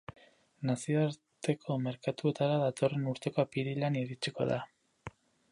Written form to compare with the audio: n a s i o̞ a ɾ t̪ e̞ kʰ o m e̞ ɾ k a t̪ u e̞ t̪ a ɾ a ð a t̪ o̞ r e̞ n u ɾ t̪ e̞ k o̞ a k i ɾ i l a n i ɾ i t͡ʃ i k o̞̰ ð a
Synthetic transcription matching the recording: n a s i o̞ a ɾ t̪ e̞ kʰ o m e̞ ɾ k a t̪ u e̞ t̪ a ɾ a ð a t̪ o̞ r e̞ n u ɾ t̪ e̞ k o̞ a p i ɾ i l a n i ɾ i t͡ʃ i k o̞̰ ð a